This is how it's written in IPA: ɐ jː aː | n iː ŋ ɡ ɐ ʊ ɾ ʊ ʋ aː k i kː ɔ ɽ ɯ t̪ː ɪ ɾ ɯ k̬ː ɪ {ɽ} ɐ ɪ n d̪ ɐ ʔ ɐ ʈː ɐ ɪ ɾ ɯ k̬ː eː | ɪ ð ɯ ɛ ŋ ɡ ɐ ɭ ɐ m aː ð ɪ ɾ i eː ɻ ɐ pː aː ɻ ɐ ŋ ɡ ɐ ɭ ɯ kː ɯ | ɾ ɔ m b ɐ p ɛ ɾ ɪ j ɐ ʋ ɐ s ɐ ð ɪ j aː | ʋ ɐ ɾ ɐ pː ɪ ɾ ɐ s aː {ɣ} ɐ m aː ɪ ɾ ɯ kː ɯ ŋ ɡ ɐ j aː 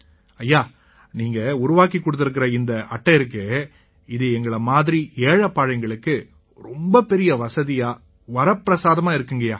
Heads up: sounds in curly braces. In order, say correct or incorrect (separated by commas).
incorrect, incorrect